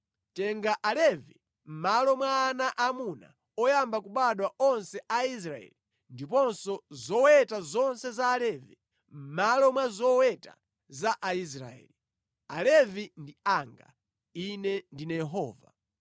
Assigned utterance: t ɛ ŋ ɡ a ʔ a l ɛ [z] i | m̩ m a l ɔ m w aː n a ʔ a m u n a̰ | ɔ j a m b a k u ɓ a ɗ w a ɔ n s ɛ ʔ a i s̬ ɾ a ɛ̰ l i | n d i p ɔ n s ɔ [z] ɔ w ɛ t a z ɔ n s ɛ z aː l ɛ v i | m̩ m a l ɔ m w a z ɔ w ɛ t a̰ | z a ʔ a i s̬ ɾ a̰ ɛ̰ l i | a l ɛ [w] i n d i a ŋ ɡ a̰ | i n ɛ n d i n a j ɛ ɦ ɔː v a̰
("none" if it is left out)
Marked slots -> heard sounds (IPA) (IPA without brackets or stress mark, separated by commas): v, z, v